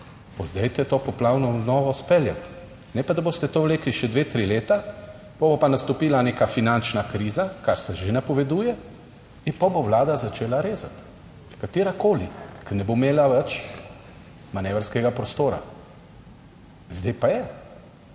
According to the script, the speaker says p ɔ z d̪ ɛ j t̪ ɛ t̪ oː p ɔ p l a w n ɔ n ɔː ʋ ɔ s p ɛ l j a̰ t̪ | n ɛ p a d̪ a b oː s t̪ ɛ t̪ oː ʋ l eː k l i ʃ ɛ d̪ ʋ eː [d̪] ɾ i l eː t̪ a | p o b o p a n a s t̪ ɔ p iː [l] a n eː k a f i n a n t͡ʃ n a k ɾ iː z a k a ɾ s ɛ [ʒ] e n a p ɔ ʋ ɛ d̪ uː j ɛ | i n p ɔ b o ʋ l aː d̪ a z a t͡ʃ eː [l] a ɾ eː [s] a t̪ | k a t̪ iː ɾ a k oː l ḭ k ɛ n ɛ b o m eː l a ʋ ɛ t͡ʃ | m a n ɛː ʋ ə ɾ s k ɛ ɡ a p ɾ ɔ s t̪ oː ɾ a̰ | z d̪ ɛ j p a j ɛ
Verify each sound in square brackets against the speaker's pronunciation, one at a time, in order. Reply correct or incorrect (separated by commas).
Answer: incorrect, correct, correct, correct, incorrect